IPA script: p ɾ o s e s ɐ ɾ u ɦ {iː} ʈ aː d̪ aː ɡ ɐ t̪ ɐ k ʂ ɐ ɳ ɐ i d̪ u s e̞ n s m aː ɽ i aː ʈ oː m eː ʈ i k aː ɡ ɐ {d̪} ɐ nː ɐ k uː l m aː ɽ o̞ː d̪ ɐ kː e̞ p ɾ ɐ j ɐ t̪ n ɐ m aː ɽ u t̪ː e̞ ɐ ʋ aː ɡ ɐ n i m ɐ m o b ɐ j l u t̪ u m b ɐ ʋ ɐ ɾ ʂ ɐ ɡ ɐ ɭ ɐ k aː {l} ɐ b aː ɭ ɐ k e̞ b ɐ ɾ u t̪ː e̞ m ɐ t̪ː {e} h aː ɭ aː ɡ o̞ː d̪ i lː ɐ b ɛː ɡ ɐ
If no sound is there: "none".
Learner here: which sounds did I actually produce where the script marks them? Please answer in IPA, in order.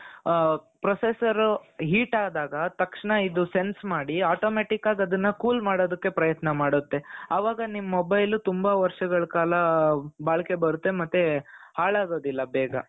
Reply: iː, d̪, l, e

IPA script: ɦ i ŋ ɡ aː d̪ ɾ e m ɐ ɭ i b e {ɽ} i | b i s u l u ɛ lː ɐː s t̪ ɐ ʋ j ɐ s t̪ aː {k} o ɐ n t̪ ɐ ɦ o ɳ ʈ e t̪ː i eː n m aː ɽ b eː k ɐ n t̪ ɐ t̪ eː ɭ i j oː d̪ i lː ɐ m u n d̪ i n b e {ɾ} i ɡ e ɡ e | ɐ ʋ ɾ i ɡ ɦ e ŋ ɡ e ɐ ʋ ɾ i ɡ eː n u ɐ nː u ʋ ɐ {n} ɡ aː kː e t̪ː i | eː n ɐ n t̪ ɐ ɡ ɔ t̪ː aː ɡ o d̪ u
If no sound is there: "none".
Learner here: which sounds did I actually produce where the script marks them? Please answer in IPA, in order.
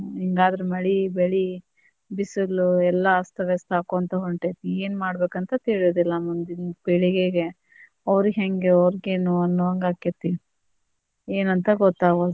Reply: ɭ, k, ɭ, ŋ

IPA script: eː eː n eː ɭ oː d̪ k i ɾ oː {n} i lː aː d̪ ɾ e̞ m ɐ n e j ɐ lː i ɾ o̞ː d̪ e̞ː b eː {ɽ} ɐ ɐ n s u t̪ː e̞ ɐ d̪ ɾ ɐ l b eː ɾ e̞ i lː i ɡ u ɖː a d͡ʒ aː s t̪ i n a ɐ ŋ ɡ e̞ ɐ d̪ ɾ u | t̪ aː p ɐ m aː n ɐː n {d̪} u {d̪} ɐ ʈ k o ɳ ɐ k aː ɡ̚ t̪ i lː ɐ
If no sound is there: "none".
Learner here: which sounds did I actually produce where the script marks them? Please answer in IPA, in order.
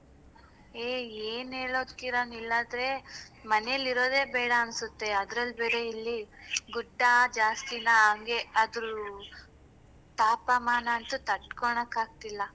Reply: n, ɽ, t̪, t̪

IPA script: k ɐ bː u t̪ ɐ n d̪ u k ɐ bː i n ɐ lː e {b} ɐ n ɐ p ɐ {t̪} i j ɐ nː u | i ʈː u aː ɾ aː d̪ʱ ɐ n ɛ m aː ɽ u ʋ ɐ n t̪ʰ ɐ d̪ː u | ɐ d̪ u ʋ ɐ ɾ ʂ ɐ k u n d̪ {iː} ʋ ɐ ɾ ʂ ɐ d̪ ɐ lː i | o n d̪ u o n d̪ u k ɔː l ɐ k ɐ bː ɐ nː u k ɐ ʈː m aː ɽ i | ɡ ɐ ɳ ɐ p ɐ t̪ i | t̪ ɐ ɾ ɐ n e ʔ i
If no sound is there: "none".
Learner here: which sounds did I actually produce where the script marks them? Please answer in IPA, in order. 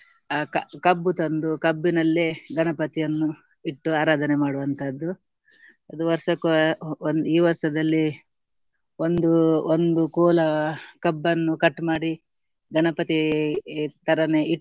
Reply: ɡ, t̪, iː

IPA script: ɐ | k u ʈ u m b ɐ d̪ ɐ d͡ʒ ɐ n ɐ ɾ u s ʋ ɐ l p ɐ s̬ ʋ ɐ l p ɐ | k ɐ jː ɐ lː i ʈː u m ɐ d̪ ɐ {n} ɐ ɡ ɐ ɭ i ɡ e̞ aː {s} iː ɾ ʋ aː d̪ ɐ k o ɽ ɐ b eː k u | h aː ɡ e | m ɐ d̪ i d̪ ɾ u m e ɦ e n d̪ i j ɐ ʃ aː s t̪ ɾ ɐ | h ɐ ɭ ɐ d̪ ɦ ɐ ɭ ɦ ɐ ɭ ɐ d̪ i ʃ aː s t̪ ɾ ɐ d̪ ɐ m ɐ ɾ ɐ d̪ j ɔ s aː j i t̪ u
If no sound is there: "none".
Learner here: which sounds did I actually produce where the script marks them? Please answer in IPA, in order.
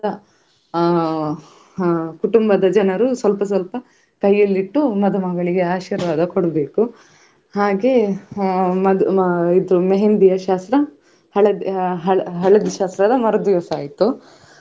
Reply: m, ʃ

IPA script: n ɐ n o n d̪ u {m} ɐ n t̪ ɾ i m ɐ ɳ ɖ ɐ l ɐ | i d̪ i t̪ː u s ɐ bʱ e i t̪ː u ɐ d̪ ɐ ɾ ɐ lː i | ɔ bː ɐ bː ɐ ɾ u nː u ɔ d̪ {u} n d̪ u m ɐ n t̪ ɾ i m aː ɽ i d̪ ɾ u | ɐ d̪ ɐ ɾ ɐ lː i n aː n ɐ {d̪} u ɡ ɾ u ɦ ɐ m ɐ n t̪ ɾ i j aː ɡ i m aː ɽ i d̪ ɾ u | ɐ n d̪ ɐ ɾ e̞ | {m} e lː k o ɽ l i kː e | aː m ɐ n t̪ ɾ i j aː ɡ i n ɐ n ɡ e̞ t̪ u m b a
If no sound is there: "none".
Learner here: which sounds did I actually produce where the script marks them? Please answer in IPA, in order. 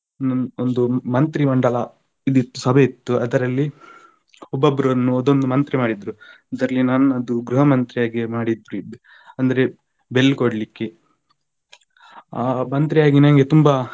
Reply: m, o, d̪, b

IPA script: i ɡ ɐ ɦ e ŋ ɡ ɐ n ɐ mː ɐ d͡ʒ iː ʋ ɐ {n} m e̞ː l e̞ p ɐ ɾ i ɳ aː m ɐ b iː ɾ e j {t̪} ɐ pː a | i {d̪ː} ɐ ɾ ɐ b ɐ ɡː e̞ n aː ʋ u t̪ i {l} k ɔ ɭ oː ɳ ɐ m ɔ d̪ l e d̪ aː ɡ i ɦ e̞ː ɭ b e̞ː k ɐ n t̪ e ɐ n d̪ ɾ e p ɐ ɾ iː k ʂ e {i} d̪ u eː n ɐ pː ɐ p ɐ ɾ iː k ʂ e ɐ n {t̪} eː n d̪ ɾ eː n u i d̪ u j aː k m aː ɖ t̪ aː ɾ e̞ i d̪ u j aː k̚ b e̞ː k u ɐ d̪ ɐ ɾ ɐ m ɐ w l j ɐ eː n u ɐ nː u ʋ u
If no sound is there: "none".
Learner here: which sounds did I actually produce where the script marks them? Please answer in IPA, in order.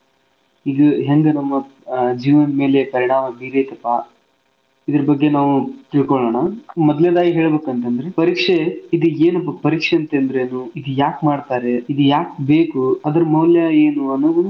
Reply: n, t̪, d̪, ɭ, i, t̪

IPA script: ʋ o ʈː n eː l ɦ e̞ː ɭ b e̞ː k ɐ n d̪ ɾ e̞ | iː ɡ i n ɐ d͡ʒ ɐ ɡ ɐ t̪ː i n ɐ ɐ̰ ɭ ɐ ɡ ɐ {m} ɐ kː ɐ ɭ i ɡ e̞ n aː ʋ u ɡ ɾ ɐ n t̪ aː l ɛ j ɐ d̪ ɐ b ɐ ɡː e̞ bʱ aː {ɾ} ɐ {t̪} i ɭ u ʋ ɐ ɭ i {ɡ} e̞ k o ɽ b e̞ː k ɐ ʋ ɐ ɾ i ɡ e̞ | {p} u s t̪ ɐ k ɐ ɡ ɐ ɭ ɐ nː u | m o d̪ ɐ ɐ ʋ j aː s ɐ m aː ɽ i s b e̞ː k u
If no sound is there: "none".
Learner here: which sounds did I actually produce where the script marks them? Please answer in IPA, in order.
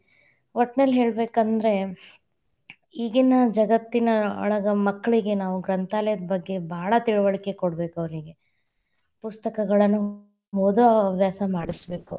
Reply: m, ɭ, t̪, k, p

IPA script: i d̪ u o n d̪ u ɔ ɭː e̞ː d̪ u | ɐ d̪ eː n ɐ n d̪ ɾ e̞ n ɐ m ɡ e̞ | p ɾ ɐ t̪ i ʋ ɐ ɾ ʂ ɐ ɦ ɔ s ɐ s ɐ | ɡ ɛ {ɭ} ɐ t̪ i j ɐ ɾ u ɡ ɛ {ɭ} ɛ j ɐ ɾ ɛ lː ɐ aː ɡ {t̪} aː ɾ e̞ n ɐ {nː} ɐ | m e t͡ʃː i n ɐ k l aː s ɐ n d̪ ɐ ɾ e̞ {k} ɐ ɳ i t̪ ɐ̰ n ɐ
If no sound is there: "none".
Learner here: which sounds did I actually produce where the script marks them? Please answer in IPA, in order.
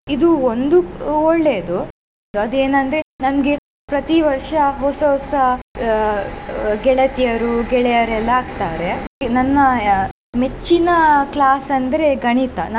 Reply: ɭ, ɭ, t̪, nː, ɡ

